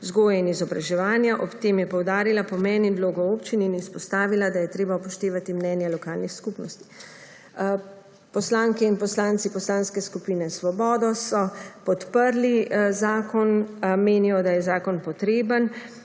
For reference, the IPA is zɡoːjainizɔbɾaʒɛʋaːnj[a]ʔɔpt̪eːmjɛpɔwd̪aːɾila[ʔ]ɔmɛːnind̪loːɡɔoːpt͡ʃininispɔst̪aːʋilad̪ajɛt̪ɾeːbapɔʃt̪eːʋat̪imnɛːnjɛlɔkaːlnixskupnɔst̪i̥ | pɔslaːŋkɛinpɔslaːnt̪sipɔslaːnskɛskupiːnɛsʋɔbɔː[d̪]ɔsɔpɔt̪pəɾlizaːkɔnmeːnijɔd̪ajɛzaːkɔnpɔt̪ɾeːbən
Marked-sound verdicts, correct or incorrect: correct, incorrect, correct

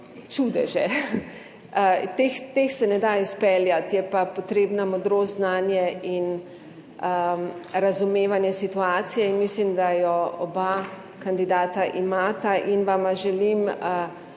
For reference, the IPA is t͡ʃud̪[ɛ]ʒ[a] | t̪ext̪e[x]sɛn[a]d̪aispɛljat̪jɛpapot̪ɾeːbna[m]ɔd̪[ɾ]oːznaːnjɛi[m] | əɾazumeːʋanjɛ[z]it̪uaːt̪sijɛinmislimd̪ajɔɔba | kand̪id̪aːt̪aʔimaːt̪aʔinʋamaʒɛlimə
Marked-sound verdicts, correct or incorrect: correct, incorrect, correct, incorrect, correct, correct, incorrect, incorrect

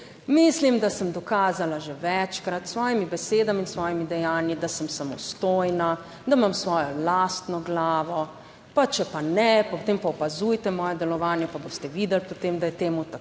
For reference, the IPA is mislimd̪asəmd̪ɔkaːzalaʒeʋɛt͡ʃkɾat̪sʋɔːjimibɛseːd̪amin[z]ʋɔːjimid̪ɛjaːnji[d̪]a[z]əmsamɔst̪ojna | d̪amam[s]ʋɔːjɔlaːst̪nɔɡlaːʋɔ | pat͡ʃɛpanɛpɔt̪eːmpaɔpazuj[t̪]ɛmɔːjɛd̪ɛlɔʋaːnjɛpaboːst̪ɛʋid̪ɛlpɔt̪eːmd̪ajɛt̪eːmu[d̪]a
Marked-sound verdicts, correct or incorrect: incorrect, correct, incorrect, correct, correct, incorrect

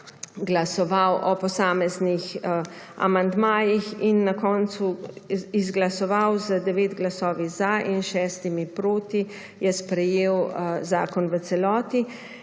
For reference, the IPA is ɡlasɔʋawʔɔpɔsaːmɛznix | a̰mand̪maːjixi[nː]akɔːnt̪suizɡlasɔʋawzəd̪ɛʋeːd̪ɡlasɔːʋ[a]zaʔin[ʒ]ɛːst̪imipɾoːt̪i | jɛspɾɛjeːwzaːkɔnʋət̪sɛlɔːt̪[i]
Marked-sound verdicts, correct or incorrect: correct, incorrect, incorrect, correct

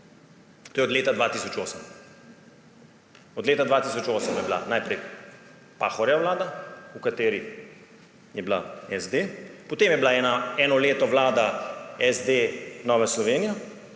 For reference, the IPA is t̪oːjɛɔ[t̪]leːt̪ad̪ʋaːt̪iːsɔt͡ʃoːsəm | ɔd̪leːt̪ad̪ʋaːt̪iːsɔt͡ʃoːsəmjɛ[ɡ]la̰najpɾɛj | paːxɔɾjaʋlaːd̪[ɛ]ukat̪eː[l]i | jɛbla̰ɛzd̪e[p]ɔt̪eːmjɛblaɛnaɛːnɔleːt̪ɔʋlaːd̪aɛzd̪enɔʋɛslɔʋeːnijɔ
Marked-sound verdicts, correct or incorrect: incorrect, incorrect, incorrect, incorrect, correct

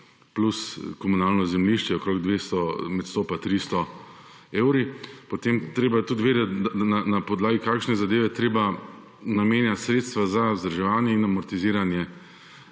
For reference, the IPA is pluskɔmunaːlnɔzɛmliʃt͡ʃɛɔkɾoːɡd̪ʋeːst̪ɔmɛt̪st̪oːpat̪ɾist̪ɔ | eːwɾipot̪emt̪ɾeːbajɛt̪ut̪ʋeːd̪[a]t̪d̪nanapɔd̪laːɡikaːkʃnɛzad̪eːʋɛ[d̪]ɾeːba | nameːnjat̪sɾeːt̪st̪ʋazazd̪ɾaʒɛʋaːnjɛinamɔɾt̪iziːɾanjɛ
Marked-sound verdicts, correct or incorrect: incorrect, incorrect

